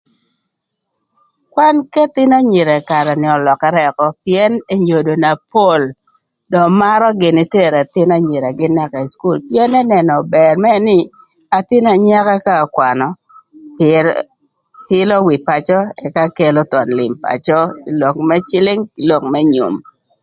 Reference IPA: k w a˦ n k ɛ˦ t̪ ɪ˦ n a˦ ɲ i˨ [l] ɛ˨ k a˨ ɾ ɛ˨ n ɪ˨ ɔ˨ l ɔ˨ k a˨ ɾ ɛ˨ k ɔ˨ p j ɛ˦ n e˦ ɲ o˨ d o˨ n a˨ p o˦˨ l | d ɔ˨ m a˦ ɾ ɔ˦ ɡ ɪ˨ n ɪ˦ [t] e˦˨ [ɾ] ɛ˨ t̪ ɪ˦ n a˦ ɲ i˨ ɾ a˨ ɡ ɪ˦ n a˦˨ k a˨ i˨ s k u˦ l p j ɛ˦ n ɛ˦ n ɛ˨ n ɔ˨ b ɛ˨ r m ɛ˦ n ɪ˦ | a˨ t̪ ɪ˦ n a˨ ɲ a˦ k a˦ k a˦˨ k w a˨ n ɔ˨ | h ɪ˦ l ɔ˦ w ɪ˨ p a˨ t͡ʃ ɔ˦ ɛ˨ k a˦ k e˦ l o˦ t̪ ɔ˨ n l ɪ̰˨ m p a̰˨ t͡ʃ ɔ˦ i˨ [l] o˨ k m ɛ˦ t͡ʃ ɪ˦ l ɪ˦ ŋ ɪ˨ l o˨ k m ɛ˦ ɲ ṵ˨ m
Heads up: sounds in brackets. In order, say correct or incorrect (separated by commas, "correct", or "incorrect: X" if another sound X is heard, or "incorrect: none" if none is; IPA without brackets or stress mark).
incorrect: ɾ, correct, correct, correct